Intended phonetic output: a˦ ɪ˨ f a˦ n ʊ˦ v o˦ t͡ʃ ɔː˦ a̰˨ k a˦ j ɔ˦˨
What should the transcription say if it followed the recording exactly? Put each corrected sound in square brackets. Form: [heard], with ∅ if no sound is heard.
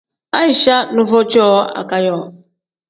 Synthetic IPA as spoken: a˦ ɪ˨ [ʃ] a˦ n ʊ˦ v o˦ t͡ʃ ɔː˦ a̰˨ k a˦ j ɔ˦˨

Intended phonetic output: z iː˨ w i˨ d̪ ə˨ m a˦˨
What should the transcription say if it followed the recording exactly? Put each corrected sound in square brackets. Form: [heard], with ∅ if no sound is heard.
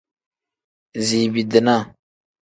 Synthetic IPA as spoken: z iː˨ [b] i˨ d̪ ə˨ [n] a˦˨

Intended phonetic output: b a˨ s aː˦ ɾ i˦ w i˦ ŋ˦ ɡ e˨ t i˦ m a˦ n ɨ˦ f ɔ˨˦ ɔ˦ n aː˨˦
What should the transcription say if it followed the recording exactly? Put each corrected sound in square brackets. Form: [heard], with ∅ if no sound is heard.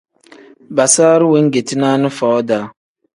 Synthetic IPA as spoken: b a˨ s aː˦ ɾ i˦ w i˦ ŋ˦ ɡ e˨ t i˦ [n] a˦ n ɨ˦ f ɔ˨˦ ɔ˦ [d] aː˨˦

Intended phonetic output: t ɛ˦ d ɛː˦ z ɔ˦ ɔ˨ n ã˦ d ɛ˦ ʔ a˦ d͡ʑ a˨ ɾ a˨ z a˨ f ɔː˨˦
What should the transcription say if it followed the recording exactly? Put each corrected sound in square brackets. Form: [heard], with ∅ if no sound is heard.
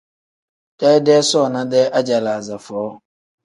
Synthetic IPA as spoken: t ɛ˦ d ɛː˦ [s] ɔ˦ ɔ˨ n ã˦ d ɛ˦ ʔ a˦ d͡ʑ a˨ [l] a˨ z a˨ f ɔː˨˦

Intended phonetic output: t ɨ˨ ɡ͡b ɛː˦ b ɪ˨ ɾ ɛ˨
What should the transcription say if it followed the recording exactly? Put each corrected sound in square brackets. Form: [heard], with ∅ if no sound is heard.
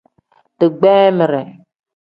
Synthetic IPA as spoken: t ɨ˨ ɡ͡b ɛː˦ [m] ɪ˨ ɾ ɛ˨

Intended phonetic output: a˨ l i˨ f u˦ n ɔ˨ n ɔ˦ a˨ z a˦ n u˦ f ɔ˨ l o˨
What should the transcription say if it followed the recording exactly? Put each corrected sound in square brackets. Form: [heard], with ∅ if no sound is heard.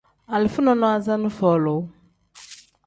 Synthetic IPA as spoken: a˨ l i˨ f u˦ n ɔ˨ n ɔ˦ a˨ z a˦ n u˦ f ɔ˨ l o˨

